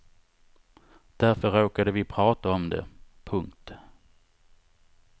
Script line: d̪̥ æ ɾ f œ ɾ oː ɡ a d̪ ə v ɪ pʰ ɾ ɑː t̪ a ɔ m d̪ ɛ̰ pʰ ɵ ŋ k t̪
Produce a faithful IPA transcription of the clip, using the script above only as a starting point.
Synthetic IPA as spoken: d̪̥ æ ɾ f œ ɾ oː k a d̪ ə v ɪ pʰ ɾ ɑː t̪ a ɔ m d̪ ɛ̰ pʰ ɵ ŋ k t̪